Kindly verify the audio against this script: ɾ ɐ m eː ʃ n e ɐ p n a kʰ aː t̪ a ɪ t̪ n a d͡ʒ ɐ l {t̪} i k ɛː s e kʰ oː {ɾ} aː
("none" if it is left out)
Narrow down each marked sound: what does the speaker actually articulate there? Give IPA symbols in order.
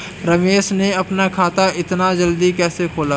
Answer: d̪, l

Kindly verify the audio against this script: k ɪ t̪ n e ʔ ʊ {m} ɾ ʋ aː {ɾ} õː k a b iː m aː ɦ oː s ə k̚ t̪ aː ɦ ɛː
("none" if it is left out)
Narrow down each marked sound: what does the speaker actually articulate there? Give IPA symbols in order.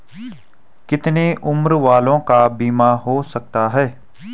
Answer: m, l

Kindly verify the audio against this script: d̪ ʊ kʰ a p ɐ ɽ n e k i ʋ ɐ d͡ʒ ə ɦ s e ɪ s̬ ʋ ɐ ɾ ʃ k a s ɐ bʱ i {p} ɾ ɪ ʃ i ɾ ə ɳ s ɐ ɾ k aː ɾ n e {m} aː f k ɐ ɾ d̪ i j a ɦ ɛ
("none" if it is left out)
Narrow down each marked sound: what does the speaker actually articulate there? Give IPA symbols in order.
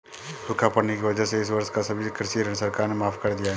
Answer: k, m

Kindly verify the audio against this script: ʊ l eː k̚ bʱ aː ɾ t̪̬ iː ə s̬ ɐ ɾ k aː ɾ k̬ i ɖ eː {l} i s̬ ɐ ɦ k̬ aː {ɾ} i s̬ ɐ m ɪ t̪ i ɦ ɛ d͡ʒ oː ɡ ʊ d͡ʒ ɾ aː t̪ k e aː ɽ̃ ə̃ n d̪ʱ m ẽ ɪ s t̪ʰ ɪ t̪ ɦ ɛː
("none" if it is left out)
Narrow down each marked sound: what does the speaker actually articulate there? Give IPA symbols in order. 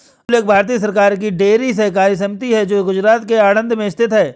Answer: ɾ, ɾ

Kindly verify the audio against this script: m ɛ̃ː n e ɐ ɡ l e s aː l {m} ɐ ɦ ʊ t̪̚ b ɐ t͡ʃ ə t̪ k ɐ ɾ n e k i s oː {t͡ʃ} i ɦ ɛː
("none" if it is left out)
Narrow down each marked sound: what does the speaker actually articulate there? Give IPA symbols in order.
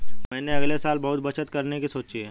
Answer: b, t͡ʃ

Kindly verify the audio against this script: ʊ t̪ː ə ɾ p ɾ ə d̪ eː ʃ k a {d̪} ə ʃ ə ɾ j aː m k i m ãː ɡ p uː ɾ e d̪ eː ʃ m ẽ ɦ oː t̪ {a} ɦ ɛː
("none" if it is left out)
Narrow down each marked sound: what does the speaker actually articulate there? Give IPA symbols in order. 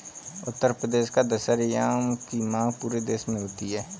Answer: d̪, i

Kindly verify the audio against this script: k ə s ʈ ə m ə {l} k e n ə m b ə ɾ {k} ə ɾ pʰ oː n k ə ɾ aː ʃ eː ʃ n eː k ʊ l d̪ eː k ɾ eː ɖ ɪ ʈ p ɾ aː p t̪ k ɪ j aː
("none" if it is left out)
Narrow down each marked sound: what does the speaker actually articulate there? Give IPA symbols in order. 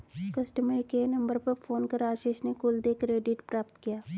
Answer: ɾ, p

